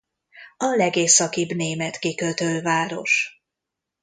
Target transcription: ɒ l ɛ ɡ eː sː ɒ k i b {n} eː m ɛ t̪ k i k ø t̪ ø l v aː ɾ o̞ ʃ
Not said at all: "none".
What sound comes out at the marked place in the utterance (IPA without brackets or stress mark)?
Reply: n